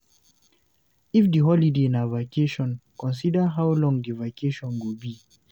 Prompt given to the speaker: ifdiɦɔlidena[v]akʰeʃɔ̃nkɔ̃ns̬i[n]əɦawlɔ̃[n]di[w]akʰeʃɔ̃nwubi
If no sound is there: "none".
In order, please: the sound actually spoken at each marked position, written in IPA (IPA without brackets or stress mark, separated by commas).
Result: v, d, ŋ, v